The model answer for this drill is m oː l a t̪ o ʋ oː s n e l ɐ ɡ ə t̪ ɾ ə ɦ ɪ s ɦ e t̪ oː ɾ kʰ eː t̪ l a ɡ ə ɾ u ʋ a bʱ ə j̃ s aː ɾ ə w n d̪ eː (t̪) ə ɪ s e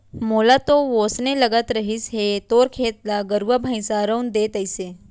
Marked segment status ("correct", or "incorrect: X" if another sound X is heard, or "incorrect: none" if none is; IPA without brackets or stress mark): correct